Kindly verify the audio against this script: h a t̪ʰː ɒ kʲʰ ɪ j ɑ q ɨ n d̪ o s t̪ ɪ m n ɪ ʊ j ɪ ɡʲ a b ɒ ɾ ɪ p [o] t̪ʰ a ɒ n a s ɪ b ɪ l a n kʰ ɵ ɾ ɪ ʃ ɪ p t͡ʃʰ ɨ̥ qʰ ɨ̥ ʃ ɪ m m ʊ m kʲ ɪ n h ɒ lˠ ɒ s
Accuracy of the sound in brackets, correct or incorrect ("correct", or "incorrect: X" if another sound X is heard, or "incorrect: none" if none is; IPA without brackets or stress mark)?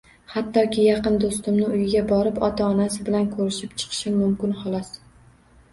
incorrect: ɒ